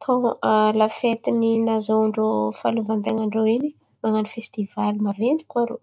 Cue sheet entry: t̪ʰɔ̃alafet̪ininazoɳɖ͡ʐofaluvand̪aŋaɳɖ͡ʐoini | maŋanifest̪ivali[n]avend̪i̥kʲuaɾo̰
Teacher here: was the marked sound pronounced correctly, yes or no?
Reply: no